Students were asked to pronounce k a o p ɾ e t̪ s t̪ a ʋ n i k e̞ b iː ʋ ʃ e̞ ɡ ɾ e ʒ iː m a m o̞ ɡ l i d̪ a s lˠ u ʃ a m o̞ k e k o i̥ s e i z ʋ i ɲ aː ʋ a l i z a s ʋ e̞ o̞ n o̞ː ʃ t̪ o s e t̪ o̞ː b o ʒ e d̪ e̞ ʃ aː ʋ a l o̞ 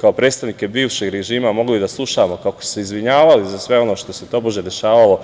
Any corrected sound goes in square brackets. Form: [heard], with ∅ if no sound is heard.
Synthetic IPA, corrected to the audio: k a o p ɾ e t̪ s t̪ a ʋ n i k e̞ b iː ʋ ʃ e̞ ɡ ɾ e ʒ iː m a m o̞ ɡ l i d̪ a s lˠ u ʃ a m o̞ k [a] k o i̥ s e i z ʋ i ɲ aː ʋ a l i z a s ʋ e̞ o̞ n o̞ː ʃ t̪ o s e t̪ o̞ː b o ʒ e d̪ e̞ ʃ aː ʋ a l o̞